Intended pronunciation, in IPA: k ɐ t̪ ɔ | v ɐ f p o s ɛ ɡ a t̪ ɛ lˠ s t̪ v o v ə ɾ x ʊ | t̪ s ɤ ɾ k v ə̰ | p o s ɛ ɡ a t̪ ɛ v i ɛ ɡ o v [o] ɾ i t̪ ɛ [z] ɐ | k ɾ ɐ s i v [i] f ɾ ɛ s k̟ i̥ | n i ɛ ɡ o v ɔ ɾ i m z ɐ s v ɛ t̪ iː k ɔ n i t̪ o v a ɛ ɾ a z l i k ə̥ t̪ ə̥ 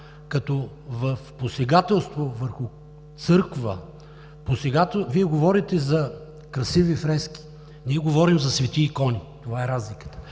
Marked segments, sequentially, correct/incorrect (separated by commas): incorrect, correct, correct